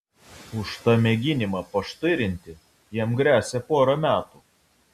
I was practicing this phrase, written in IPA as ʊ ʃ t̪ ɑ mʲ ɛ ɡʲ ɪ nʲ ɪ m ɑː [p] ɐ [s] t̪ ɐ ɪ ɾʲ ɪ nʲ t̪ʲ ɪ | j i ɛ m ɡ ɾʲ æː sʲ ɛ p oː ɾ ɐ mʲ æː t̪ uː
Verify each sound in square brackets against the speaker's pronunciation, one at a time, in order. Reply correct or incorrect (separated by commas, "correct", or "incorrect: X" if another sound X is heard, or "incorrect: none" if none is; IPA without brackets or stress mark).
correct, incorrect: ʃ